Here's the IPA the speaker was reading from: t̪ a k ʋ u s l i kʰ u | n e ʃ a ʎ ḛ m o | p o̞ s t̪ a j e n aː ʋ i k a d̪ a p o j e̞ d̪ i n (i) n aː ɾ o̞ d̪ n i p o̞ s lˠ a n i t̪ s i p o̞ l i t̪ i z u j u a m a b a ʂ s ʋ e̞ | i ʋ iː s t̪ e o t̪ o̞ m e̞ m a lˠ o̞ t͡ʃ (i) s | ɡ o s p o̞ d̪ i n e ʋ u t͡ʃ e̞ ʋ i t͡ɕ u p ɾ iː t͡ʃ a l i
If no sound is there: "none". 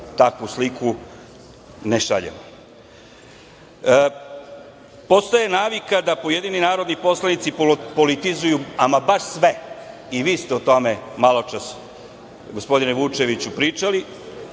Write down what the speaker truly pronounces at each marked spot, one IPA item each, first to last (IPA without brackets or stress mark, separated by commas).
i, a